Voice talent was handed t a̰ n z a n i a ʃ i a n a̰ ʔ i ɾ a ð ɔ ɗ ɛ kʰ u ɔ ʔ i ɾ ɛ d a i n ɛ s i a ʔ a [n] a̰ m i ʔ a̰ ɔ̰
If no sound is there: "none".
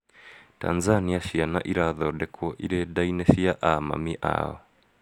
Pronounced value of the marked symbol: m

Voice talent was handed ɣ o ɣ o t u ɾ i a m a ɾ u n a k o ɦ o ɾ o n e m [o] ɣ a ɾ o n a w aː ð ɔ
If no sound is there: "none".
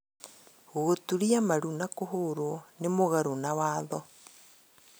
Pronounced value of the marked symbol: o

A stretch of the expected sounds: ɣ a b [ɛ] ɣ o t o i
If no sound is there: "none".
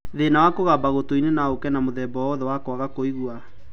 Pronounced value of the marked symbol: a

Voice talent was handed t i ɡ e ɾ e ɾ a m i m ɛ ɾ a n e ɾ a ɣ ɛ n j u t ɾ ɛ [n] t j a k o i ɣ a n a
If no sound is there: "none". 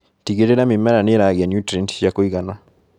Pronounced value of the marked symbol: n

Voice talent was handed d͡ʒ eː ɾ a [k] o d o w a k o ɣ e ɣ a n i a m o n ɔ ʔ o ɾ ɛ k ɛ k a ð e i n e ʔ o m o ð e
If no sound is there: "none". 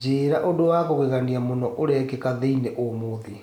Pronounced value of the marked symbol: ʔ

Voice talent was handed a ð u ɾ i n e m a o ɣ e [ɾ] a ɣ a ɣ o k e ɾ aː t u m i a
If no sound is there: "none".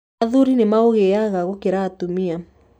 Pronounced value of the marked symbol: none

